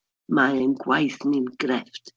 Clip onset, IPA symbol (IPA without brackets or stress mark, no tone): m